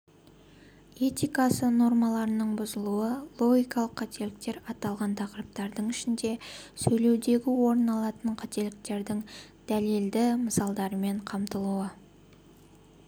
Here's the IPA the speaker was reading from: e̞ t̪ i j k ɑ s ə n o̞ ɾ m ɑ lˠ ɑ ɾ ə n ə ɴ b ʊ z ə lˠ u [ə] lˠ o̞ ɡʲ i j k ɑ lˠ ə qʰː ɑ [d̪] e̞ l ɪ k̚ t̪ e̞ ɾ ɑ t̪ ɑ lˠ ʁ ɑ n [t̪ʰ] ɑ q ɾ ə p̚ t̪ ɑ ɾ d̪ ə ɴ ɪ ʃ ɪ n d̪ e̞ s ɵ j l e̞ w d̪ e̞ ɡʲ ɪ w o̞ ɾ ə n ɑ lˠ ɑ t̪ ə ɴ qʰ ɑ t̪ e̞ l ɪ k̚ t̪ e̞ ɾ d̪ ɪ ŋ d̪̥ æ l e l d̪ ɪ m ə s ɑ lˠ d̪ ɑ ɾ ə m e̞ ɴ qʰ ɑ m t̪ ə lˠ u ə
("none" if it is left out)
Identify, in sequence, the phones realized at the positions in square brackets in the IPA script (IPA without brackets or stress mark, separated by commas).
ə, t̪, t̪ʰ